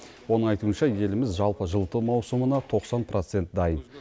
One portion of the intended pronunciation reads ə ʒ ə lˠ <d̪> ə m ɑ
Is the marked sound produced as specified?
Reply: no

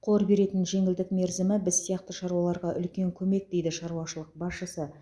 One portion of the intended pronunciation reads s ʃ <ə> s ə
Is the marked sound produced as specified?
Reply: yes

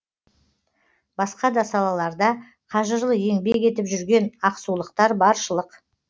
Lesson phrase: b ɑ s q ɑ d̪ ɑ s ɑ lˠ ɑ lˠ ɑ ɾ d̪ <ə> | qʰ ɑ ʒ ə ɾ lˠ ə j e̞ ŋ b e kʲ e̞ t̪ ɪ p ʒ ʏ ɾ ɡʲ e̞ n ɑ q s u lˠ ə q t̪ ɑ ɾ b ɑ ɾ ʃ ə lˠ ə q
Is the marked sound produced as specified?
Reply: no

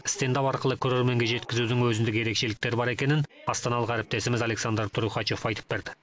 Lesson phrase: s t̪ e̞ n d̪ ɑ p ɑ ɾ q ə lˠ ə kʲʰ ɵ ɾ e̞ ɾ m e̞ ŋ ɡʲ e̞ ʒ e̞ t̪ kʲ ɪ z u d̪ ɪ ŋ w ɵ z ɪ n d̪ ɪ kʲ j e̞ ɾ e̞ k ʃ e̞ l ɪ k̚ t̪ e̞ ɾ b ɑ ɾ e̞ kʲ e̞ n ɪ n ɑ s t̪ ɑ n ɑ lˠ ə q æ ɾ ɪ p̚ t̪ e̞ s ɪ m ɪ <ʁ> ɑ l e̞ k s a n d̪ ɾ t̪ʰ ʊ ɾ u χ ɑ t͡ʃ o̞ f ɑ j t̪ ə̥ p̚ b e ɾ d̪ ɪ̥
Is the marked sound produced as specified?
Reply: no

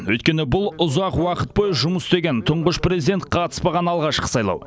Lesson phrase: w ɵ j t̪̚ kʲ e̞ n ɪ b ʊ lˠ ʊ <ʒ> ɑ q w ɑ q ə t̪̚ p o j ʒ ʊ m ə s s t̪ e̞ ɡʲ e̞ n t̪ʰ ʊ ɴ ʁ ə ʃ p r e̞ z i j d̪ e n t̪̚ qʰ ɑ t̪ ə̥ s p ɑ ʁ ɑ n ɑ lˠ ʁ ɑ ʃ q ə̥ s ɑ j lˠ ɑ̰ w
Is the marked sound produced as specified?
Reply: no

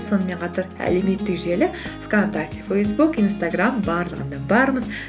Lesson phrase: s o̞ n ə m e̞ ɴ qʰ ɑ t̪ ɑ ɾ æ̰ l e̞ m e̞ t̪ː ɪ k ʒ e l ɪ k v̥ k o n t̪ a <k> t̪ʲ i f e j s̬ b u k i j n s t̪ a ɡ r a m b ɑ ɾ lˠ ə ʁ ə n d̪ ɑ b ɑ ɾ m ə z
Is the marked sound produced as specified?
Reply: yes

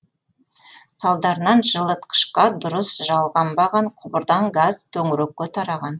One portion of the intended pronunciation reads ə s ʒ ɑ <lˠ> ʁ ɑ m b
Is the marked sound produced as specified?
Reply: yes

